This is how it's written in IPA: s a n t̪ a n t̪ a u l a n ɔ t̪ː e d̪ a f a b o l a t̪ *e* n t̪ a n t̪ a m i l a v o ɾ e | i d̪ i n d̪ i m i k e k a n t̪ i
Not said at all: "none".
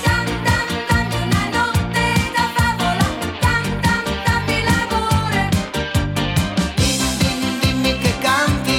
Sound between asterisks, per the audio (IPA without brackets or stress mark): a